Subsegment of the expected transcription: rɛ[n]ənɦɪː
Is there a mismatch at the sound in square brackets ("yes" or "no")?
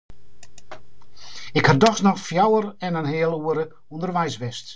no